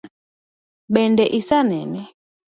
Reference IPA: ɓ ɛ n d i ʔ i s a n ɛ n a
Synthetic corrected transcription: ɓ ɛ n d ɛ ʔ i s a n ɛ n ɛ